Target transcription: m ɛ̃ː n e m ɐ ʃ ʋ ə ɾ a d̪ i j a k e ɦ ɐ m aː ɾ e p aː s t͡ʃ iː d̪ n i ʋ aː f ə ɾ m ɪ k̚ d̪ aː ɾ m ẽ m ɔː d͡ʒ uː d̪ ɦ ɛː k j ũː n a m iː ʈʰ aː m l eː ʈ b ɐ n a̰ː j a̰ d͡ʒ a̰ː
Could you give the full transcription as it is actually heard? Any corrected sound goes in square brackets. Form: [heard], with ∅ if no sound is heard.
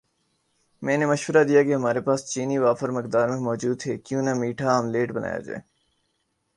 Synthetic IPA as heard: m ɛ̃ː n e m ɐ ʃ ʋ ə ɾ a d̪ i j a k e ɦ ɐ m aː ɾ e p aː s t͡ʃ iː [∅] n i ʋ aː f ə ɾ m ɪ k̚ d̪ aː ɾ m ẽ m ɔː d͡ʒ uː d̪ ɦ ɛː k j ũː n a m iː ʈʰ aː m l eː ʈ b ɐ n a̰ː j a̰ d͡ʒ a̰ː